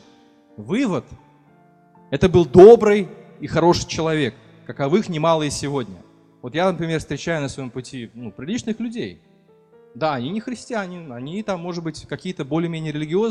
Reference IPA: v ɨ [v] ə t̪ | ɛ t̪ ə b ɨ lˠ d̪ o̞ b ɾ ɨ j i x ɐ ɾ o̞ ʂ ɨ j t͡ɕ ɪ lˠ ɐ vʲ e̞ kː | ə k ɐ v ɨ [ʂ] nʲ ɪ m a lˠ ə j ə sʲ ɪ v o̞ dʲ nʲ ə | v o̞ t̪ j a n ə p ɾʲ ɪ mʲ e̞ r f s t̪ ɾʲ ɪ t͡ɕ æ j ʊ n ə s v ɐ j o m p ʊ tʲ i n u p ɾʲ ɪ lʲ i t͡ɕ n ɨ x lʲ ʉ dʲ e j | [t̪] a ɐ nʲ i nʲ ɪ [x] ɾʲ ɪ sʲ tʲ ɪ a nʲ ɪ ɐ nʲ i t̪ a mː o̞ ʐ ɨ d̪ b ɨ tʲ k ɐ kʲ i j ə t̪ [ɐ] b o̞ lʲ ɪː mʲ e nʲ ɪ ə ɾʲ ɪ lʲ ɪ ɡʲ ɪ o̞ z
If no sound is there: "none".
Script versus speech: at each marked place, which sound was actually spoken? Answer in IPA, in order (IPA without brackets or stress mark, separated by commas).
v, x, d̪, x, ə